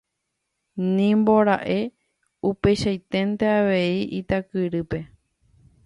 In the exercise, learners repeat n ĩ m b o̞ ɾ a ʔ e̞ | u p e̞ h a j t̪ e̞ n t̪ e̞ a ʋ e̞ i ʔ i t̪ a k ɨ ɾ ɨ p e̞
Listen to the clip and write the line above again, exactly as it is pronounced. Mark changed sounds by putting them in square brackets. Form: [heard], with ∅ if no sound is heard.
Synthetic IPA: n ĩ m b o̞ ɾ a ʔ e̞ | u p e̞ [ʃ] a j t̪ e̞ n t̪ e̞ a ʋ e̞ i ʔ i t̪ a k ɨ ɾ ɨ p e̞